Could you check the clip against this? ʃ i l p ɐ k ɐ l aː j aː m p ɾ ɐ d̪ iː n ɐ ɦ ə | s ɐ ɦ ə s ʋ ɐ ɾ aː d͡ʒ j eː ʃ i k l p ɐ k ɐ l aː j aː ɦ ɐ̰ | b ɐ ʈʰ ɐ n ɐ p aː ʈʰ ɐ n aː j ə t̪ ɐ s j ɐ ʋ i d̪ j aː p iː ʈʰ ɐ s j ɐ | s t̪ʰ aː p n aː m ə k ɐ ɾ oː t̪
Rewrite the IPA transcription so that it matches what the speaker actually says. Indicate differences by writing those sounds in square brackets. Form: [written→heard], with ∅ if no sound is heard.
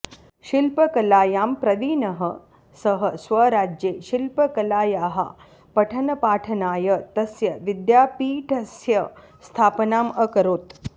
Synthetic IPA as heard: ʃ i l p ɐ k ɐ l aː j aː m p ɾ ɐ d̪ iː n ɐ ɦ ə | s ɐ ɦ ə s ʋ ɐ ɾ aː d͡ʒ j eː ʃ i [k→∅] l p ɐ k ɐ l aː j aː ɦ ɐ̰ | [b→p] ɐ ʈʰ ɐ n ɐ p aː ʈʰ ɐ n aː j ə t̪ ɐ s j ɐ ʋ i d̪ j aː p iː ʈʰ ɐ s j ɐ | s t̪ʰ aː p n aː m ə k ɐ ɾ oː t̪